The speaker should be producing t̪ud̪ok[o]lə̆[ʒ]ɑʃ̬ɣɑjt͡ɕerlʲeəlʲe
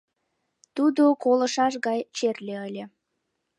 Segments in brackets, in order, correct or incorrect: correct, incorrect

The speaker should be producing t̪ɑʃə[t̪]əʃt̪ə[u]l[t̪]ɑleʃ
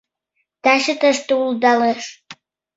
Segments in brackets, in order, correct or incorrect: correct, correct, incorrect

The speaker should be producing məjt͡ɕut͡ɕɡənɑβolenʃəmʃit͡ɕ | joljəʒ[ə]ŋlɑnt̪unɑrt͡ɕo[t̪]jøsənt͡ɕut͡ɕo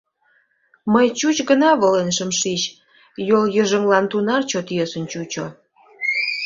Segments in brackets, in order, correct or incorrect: correct, correct

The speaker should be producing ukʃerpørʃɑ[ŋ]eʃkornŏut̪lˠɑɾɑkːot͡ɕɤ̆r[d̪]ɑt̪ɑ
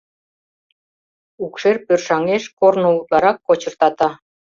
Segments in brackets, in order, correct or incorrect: correct, incorrect

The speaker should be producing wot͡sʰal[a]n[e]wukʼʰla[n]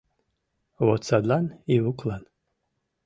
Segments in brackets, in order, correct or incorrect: correct, incorrect, correct

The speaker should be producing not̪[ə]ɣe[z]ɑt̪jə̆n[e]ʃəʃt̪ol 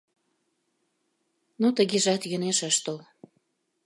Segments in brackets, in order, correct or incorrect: correct, incorrect, correct

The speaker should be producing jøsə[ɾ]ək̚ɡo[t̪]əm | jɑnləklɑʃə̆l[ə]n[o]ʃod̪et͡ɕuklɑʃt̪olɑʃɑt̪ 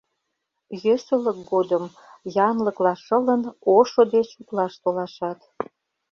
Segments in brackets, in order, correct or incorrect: incorrect, incorrect, correct, correct

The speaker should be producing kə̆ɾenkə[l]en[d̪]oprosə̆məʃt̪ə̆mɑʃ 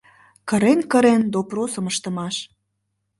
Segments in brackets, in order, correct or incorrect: incorrect, correct

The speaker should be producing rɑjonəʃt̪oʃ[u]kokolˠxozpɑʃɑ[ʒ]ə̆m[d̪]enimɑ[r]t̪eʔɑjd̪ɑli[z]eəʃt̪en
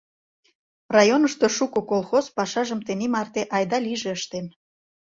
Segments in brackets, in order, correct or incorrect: correct, correct, incorrect, correct, incorrect

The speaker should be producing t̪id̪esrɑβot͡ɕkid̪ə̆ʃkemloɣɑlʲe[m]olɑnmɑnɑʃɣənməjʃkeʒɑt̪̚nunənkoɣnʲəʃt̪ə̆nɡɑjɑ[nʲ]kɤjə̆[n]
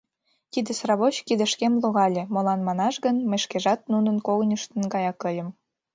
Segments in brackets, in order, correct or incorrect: correct, incorrect, incorrect

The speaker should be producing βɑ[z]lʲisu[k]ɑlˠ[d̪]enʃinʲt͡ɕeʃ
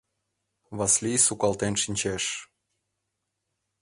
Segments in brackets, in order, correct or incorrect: incorrect, correct, incorrect

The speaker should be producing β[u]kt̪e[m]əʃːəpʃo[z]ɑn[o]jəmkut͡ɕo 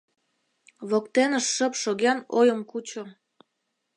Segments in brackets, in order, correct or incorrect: incorrect, incorrect, incorrect, correct

